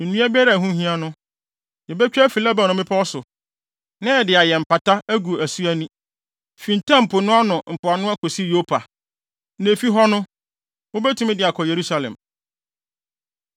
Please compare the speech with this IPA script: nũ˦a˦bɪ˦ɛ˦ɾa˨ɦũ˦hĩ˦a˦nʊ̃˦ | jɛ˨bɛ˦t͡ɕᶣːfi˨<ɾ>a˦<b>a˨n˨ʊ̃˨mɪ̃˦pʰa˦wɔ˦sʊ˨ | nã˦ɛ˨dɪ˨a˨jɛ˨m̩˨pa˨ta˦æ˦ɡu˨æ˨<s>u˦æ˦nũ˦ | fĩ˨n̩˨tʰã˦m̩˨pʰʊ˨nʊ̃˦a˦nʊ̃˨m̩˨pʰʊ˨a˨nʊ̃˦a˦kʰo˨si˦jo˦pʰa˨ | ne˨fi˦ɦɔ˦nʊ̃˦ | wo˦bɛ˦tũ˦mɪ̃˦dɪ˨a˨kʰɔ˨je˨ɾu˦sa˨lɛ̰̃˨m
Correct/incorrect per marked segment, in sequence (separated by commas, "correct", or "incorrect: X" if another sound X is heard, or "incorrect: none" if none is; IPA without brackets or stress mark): incorrect: l, correct, correct